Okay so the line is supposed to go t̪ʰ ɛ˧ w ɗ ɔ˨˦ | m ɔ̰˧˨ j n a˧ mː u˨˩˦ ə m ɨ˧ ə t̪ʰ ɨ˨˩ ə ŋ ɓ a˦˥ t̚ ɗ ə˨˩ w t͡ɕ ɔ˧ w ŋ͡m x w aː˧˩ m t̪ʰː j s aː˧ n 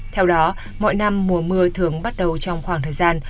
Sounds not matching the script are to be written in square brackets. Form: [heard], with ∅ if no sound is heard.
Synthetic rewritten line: t̪ʰ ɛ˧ w ɗ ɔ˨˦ | m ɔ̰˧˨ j n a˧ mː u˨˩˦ ə m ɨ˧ ə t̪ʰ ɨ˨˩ ə ŋ ɓ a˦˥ t̚ ɗ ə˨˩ w t͡ɕ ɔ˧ w ŋ͡m x w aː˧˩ [ŋ] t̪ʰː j [z] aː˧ n